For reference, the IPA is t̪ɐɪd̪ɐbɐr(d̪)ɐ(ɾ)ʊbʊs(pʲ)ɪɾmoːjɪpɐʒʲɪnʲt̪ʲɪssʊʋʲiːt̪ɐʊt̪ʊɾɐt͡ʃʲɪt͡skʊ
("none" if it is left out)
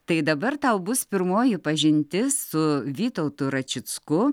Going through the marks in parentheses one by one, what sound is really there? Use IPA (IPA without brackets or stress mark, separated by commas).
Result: t̪, none, pʲ